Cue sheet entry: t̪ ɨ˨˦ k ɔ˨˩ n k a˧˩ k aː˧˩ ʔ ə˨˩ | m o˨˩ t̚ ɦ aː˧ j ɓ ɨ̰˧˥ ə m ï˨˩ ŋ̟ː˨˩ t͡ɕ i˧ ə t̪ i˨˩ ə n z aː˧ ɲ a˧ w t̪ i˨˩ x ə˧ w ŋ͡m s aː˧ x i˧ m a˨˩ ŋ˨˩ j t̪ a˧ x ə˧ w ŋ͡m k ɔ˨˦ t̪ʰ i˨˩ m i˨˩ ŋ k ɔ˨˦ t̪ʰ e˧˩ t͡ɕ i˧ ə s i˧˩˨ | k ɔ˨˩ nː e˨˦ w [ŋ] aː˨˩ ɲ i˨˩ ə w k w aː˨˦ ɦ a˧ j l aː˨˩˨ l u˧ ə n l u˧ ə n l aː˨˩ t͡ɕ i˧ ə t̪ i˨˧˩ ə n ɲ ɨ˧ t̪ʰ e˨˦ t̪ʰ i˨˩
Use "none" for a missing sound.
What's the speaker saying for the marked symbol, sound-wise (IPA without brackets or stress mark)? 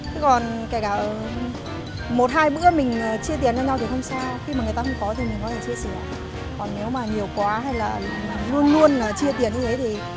m